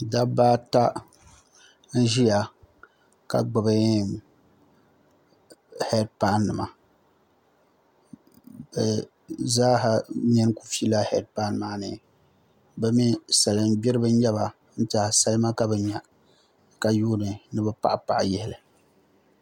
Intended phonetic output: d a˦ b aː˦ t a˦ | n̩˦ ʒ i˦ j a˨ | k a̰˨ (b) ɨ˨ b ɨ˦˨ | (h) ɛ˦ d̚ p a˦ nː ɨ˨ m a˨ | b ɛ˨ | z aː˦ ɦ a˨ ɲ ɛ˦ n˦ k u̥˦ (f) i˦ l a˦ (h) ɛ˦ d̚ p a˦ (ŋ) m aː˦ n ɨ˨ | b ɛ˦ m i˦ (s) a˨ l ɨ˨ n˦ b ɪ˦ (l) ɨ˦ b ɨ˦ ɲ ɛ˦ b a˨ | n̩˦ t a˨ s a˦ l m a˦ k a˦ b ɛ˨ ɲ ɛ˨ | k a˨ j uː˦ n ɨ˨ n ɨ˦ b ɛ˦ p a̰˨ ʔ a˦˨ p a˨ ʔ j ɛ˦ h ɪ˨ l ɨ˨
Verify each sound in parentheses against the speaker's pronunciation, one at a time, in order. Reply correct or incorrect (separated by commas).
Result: incorrect, correct, correct, correct, incorrect, correct, incorrect